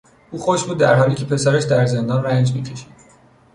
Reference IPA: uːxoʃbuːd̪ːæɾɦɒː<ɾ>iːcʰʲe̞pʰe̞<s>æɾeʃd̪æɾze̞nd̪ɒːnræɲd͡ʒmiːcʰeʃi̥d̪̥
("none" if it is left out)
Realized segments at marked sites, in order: l, s

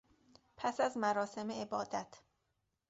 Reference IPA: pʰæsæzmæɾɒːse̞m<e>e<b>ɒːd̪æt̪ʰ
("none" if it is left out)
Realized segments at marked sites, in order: e, b

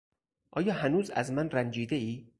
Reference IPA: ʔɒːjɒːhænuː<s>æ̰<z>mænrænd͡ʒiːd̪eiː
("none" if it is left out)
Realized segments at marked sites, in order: z, z

